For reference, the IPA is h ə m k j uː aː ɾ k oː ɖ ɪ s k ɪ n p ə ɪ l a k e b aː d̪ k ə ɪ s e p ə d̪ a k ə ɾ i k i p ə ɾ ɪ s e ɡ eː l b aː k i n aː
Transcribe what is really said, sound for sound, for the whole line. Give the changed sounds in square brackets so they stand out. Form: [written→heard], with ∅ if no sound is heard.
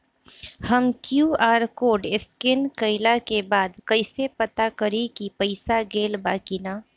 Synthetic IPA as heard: h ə m k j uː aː ɾ k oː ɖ ɪ s k ɪ n [p→k] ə ɪ l a k e b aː d̪ k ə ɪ s e p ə [d̪→t̪] a k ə ɾ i k i p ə [ɾ→∅] ɪ s [e→a] ɡ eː l b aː k i n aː